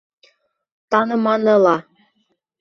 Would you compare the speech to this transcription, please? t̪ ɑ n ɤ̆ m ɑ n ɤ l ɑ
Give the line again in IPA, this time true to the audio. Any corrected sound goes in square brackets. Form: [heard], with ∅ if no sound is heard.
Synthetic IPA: t̪ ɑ n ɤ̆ m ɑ n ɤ l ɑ